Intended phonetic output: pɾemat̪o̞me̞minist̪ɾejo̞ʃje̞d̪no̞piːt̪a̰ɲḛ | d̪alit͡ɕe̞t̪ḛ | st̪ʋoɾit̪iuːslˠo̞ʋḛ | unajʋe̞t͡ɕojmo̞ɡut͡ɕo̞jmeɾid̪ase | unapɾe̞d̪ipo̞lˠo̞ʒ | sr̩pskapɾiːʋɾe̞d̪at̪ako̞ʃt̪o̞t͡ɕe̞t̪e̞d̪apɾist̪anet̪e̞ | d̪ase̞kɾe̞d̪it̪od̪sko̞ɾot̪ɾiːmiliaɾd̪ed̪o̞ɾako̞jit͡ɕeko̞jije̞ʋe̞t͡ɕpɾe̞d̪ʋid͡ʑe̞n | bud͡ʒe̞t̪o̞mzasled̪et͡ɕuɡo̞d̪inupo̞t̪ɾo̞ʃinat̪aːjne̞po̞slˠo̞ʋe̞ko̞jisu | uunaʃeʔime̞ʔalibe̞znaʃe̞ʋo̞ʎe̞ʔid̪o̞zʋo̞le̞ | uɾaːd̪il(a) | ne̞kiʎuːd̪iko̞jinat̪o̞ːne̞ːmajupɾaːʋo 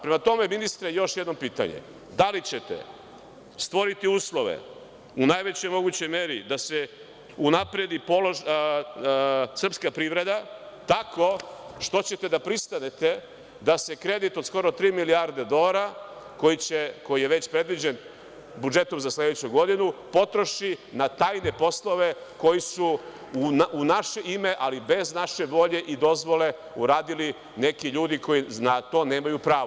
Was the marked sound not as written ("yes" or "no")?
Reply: yes